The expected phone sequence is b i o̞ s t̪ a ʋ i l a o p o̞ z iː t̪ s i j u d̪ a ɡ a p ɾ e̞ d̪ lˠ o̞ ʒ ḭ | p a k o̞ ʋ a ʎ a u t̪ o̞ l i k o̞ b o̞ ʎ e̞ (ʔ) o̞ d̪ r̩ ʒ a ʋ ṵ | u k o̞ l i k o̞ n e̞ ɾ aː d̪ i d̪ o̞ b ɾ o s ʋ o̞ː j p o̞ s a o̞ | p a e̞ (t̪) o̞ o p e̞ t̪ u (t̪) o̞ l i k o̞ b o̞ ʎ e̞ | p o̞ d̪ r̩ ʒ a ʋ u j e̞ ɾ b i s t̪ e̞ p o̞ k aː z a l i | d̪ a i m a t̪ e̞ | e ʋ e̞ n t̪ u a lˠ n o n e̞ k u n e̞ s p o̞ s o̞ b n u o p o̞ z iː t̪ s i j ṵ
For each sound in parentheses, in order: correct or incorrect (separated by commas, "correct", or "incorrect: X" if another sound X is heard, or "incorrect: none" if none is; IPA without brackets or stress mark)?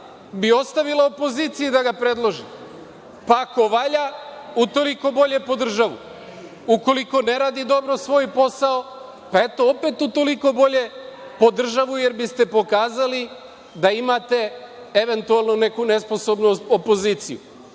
incorrect: p, correct, correct